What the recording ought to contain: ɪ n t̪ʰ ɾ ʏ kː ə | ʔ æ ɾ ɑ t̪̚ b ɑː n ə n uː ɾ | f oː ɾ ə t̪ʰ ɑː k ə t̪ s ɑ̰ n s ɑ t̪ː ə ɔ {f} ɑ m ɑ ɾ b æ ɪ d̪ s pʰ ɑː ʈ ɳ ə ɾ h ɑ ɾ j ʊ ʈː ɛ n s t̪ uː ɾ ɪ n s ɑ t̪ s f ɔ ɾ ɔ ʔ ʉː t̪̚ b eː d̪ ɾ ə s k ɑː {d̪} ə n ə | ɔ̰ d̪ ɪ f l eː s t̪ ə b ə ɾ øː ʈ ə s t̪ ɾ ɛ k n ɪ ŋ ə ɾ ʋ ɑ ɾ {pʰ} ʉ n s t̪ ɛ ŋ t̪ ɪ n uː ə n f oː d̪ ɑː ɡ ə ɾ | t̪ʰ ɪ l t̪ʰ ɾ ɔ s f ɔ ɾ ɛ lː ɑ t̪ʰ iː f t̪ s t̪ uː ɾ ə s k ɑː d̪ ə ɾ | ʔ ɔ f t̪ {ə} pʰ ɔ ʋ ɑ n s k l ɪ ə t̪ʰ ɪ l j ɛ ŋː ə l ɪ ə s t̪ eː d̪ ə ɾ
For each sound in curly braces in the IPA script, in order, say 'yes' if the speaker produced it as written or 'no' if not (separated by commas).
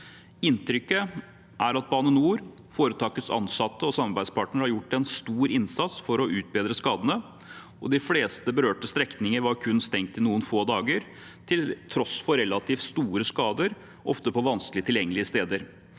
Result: no, yes, no, yes